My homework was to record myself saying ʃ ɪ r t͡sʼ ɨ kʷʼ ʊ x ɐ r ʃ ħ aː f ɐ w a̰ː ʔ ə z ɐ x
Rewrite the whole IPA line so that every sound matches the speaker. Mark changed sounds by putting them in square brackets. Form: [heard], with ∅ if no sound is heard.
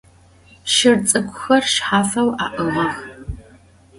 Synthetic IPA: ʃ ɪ r t͡sʼ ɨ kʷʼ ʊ x ɐ r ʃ ħ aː f ɐ w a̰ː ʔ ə [ʁ] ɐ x